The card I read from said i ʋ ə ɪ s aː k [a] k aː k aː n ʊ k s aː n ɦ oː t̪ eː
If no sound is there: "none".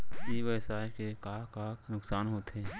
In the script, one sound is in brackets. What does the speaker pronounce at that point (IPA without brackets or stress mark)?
e